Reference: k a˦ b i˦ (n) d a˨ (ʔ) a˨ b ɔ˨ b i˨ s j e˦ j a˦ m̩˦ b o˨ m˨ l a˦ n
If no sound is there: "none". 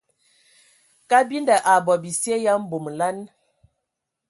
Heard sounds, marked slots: n, ʔ

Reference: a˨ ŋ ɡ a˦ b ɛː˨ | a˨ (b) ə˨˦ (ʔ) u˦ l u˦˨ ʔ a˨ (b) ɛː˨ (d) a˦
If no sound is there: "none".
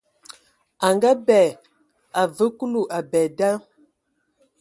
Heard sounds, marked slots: v, k, b, d

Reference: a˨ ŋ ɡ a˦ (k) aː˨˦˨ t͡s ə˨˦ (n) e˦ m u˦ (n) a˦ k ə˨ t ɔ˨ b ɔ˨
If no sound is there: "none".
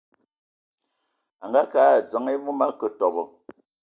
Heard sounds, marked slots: k, ŋ, m

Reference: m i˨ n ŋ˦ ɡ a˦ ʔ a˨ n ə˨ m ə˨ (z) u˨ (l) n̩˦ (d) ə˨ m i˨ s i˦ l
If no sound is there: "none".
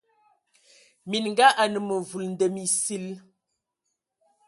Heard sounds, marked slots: v, l, d

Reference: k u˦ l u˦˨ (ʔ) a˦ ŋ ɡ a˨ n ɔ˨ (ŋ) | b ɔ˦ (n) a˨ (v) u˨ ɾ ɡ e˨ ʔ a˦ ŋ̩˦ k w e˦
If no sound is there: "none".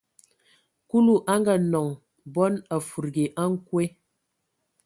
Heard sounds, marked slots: ʔ, ŋ, n, f

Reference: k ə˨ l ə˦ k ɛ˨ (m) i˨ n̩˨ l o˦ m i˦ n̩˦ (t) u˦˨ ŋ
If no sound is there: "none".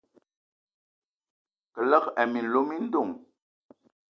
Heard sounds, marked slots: m, d

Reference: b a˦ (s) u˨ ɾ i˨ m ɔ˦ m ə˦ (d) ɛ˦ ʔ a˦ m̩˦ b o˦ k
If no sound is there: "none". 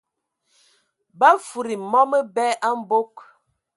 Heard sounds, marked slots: f, b

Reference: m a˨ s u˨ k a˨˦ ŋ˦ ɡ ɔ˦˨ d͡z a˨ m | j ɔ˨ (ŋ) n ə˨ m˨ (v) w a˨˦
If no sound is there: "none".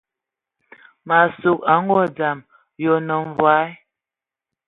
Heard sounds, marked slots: none, v

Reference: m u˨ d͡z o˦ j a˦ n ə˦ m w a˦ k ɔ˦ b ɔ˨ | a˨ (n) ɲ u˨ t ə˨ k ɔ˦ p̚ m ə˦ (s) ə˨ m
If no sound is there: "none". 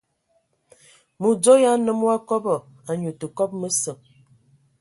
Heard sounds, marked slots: none, s

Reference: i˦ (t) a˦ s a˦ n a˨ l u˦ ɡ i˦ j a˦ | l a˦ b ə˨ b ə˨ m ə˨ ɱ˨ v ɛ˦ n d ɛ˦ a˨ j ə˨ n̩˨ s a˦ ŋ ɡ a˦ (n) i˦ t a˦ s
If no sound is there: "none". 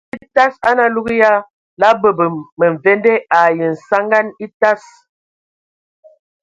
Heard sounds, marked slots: t, n

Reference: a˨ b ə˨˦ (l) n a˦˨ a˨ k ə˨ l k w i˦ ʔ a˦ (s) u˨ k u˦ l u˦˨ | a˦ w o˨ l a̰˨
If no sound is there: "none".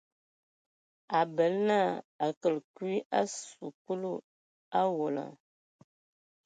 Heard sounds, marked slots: l, s

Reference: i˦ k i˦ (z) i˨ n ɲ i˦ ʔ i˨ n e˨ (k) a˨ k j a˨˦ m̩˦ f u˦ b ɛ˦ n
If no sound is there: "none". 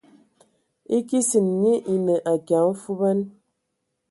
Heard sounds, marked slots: s, ʔ

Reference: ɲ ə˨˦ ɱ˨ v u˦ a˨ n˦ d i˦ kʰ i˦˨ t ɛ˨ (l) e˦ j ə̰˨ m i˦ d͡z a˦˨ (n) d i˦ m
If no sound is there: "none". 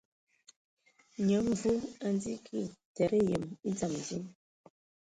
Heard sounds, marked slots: ɾ, m

